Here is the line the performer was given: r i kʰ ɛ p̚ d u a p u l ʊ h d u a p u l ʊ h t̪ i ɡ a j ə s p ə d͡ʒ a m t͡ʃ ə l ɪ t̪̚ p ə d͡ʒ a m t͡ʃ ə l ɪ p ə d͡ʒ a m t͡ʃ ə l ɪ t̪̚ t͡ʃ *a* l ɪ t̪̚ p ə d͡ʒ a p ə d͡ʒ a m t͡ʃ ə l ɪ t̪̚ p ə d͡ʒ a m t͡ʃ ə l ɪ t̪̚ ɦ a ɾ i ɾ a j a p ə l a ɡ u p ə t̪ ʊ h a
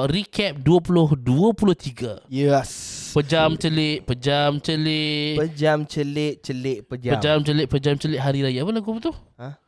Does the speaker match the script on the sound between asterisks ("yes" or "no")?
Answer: no